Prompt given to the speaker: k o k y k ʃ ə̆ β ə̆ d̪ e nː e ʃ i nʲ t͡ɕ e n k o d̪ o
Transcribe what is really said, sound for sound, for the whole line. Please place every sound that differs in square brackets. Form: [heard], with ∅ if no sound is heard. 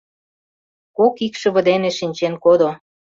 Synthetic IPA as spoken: k o k [i] k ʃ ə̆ β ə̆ d̪ e [n] e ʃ i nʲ t͡ɕ e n k o d̪ o